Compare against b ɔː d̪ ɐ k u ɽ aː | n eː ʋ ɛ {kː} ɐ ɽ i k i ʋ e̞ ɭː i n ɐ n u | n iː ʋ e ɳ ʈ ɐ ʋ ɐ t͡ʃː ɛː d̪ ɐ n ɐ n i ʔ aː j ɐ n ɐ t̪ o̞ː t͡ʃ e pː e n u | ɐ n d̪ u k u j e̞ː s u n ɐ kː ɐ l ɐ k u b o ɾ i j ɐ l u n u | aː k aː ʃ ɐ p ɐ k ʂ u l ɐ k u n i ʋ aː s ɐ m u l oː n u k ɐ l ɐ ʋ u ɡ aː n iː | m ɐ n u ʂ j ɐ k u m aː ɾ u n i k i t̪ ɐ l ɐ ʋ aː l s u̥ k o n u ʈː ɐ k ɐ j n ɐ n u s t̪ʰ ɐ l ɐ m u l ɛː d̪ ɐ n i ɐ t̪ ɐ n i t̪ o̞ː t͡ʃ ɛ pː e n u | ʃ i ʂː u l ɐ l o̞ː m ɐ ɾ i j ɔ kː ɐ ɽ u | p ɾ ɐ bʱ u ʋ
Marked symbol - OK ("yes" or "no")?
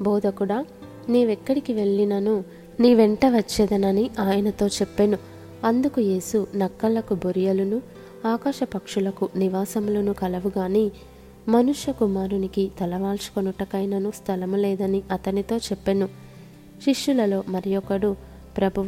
yes